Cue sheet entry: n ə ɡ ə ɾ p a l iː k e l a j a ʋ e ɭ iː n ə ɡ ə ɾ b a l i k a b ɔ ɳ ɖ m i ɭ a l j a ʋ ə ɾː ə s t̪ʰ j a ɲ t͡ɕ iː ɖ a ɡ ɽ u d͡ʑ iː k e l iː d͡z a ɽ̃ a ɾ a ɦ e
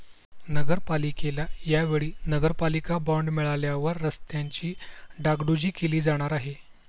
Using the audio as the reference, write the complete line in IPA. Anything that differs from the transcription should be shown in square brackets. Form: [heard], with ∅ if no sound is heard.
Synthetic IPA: n ə ɡ ə ɾ p a l [i] k e l a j a ʋ e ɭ iː n ə ɡ ə ɾ [p] a l i k a b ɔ ɳ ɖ m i ɭ a l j a ʋ ə ɾː ə s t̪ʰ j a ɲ t͡ɕ iː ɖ a ɡ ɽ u d͡ʑ iː k e l iː d͡z a ɽ̃ a ɾ a ɦ e